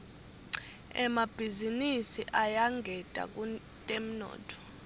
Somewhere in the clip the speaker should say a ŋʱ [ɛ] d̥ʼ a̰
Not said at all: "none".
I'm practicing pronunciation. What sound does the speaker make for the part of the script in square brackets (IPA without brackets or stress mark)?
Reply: ɛ